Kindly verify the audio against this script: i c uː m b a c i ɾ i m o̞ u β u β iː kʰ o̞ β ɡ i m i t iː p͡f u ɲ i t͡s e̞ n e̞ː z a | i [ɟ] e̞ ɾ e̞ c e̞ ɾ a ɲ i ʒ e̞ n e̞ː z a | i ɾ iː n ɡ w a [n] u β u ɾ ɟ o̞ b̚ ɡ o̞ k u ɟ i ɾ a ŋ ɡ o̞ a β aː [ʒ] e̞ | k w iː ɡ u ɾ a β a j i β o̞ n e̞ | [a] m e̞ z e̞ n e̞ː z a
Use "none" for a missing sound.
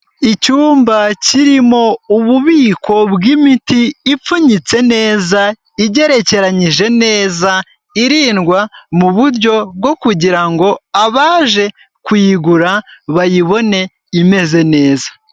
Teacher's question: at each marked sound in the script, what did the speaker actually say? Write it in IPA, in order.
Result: ɟ, m, ʒ, i

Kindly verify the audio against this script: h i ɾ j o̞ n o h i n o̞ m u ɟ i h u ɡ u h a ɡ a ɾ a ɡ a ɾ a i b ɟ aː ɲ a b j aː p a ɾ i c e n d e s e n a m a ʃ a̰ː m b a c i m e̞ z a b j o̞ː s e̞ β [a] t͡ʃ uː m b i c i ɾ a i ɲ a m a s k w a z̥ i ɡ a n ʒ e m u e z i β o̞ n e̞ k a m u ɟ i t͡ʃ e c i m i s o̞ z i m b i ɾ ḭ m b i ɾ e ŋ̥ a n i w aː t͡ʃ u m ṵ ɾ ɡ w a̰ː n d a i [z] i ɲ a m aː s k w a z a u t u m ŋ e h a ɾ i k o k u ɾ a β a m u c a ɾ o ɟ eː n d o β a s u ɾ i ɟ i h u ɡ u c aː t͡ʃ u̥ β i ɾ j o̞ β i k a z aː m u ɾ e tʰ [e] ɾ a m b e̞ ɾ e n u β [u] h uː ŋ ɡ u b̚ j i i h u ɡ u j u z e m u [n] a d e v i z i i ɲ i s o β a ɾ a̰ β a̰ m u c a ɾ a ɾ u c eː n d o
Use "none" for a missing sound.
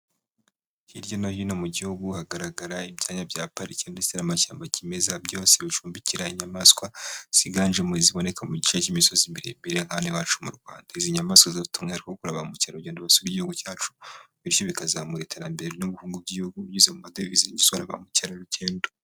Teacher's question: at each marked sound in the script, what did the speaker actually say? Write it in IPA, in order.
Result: i, z, e, u, m

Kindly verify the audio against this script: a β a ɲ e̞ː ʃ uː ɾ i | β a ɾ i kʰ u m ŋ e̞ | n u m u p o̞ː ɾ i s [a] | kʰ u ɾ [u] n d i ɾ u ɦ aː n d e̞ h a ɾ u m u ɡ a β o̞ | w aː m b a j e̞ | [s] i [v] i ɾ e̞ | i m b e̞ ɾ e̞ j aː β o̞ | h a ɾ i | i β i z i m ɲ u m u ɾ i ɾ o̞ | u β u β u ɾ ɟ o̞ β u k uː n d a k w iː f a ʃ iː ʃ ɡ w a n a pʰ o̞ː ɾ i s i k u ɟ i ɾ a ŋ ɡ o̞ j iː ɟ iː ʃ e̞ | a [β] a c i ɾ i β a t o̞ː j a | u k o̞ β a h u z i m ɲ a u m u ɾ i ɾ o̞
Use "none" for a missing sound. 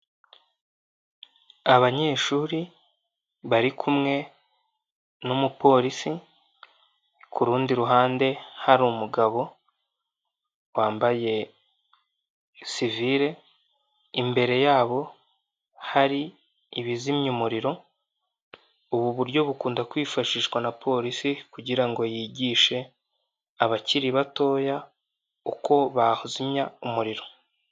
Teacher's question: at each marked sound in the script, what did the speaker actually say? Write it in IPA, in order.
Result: i, uː, s, v, β

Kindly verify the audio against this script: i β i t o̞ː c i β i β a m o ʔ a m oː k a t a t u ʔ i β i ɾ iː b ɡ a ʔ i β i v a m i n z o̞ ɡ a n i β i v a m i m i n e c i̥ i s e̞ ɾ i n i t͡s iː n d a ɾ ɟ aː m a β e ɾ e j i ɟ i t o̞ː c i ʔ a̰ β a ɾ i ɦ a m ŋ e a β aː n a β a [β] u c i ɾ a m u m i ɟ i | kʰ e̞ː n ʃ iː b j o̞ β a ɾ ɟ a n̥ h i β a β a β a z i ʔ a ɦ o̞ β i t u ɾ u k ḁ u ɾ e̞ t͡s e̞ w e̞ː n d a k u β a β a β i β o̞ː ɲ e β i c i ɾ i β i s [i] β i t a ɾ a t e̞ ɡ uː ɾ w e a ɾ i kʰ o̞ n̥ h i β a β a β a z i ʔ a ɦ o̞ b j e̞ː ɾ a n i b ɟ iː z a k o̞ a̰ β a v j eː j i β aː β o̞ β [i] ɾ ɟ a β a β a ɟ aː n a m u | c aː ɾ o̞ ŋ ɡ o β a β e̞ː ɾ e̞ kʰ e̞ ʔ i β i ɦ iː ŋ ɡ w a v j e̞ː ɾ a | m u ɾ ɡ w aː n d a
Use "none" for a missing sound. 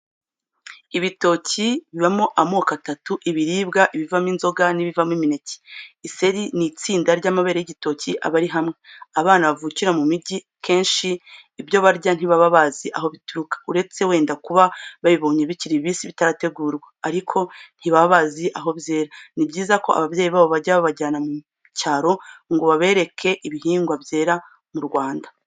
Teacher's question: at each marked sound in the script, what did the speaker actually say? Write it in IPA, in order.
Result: v, i, a

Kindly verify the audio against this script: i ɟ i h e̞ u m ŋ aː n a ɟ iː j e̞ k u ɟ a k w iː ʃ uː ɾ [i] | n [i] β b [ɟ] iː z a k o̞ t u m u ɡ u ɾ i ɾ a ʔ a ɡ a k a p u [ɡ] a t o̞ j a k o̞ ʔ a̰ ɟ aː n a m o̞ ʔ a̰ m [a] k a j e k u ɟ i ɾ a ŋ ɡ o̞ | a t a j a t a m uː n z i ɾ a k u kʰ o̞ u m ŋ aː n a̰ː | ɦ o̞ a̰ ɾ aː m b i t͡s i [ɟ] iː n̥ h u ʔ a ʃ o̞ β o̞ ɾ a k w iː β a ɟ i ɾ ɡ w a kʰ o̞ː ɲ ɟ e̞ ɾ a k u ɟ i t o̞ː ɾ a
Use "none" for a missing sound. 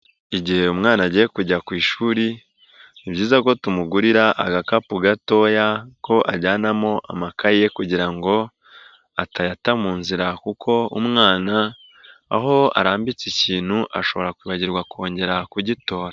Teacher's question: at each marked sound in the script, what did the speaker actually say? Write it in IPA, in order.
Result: i, i, ɟ, ɡ, a, c

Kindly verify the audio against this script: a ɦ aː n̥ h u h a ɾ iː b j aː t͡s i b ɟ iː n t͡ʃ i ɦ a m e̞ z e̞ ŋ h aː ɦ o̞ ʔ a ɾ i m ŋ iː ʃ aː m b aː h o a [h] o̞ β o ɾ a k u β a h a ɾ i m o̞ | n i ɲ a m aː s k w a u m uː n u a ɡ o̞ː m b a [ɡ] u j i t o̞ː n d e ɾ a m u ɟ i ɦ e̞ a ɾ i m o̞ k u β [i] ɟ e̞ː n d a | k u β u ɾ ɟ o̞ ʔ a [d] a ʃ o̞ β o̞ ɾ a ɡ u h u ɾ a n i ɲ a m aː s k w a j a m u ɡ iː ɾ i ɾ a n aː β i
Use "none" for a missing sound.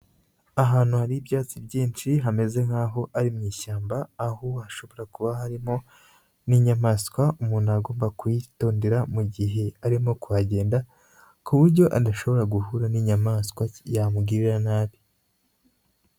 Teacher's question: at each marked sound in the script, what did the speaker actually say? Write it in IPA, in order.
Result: ʃ, k, a, d

